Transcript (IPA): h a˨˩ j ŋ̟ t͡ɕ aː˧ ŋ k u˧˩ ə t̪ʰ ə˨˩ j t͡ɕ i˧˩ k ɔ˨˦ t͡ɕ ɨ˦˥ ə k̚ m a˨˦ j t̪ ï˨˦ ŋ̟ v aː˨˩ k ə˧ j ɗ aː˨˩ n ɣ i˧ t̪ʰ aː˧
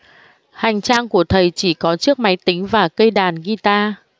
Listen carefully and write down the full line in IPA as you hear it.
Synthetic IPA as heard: h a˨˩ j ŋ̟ t͡ɕ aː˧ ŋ k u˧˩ ə t̪ʰ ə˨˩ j t͡ɕ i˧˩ k ɔ˨˦ t͡ɕ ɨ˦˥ ə k̚ m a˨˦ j t̪ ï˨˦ ŋ̟ v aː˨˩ k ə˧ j ɗ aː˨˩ n ɣ i˧ t̪ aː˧